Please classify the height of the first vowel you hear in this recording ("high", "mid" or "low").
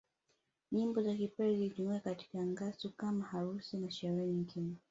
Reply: high